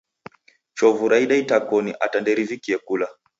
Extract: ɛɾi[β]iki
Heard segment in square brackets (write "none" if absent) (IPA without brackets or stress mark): v